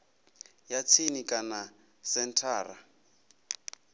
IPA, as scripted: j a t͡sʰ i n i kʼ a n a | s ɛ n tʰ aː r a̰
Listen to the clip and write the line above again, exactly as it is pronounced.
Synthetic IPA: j a t͡sʰ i n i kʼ a n a | s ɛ n tʰ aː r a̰

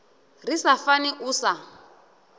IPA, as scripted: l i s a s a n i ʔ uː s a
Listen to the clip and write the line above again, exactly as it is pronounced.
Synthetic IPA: r i s a f a n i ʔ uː s a

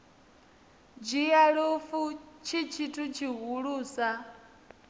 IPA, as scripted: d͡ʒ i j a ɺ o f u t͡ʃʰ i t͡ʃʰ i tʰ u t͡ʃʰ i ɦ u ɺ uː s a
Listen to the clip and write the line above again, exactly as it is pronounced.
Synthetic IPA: d͡ʒ i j a ɺ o f u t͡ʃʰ i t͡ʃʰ i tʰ u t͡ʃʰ i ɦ u ɺ uː s a

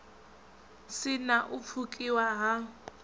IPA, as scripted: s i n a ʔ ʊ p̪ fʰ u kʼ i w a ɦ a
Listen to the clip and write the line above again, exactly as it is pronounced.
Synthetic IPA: s ɪ n a ʔ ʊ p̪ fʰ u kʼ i w a ɦ a

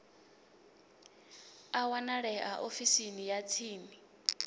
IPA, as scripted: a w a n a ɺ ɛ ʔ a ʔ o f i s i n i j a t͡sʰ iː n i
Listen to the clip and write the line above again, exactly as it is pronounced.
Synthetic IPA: a w a n a ɺ ɛ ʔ a ʔ o f i s i n i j a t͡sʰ iː n i

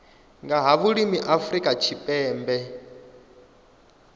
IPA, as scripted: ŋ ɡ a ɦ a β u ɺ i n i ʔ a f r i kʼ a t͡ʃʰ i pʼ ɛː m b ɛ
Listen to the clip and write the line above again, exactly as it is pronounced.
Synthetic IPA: ŋ ɡ a ɦ a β u ɺ i m i ʔ a f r i kʼ a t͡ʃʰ i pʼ ɛː m b ɛ

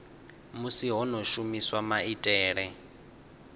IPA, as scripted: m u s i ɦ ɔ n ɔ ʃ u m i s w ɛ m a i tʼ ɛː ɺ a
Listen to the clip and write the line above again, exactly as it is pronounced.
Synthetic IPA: m u s i ɦ ɔ n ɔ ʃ u m i s w a m a i tʼ ɛː ɺ ɛ

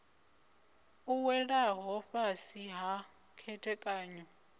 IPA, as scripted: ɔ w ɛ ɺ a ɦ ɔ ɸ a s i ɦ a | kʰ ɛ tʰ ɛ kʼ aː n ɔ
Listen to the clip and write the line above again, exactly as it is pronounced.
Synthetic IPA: u w ɛ ɺ a ɦ ɔ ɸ a s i ɦ a | kʰ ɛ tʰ ɛ kʼ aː ɲ ɔ

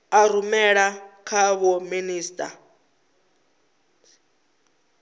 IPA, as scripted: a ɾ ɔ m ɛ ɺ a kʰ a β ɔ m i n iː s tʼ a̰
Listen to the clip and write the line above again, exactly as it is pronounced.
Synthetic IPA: a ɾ u m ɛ ɺ a kʰ a β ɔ m i n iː s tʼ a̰

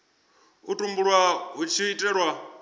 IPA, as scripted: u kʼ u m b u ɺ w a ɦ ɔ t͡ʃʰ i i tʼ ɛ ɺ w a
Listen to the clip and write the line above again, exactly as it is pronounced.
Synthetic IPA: u tʼ u m b u ɺ w a ɦ u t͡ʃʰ i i tʼ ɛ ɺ w a

